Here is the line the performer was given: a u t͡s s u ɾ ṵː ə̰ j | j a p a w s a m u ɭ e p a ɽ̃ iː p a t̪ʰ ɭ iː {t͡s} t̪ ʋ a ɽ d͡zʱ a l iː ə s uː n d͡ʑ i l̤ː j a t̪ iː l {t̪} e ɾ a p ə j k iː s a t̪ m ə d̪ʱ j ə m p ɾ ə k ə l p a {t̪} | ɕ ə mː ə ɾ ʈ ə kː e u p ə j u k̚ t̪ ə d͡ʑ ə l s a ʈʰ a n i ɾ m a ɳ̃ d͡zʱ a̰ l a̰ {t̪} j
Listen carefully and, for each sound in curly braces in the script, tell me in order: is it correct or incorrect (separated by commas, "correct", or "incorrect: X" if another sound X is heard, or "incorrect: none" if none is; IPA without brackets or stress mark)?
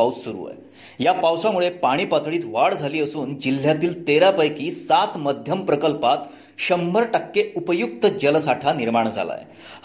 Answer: incorrect: none, correct, correct, incorrect: none